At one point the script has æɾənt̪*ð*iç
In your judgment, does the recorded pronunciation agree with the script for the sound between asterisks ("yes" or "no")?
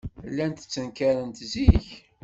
no